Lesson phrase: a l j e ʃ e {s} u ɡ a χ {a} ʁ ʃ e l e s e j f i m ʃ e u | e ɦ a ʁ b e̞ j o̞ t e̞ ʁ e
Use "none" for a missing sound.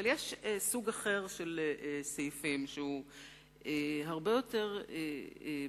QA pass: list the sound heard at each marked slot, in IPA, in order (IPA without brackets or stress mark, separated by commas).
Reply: s, e